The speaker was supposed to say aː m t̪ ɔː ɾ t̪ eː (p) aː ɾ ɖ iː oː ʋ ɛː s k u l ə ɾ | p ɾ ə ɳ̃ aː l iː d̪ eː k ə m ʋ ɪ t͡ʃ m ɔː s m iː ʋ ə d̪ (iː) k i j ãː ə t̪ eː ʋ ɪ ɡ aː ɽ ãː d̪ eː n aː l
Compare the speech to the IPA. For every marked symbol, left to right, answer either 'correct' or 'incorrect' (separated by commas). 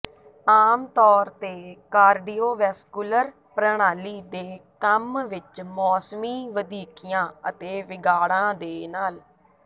incorrect, correct